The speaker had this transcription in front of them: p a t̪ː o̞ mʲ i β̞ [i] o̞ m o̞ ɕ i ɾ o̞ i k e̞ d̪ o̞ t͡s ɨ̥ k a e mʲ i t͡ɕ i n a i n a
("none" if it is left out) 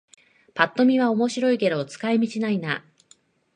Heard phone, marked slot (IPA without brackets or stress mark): a